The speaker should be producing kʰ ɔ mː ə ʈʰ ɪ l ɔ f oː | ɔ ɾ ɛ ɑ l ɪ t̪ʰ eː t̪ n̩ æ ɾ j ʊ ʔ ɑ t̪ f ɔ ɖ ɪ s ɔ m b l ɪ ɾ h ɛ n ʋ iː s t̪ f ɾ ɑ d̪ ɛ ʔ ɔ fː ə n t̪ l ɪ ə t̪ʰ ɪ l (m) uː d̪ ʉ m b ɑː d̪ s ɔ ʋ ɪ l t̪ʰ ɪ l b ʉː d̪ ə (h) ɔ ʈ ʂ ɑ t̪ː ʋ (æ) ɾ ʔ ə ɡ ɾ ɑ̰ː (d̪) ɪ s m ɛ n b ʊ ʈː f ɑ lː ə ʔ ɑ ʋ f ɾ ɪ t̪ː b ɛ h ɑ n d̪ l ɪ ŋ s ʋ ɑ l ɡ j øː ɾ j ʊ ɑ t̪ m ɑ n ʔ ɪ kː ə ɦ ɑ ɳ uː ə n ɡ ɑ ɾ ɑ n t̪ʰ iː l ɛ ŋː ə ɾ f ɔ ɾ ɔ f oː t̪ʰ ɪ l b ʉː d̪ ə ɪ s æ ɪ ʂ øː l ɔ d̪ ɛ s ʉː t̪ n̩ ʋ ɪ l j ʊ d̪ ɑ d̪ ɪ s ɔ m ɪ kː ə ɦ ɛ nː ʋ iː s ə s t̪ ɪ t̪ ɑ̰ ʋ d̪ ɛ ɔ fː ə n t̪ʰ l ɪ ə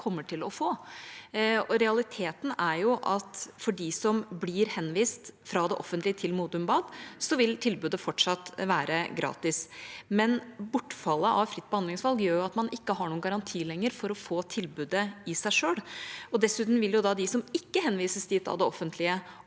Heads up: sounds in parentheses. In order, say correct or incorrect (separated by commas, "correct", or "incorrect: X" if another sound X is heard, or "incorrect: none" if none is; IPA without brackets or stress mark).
correct, incorrect: f, incorrect: æː, incorrect: t̪